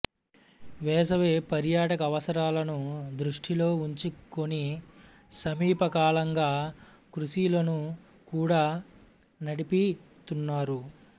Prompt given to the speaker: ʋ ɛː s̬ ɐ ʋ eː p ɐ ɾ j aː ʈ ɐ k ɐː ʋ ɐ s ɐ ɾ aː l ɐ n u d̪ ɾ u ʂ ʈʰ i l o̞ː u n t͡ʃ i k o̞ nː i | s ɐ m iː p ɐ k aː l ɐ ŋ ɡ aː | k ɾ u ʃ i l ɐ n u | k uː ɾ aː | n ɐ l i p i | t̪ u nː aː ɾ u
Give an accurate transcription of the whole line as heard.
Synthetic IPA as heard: ʋ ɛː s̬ ɐ ʋ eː p ɐ ɾ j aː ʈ ɐ k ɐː ʋ ɐ s ɐ ɾ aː l ɐ n u d̪ ɾ u ʂ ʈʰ i l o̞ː u ɲ t͡ʃ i k o̞ n i | s ɐ m iː p ɐ k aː l ɐ ŋ ɡ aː | k ɾ u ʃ i l ɐ n u | k uː ɽ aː | n ɐ ɽ i p i | t̪ u nː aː ɾ u